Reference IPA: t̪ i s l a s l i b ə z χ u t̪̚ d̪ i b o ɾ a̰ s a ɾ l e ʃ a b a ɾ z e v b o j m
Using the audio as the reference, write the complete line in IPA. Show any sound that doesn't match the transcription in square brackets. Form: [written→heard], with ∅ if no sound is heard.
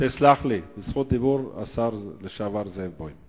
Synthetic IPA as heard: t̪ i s l a [s→χ] l i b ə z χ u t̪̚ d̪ i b [o→u] ɾ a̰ s a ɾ l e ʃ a [b→v] a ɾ z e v b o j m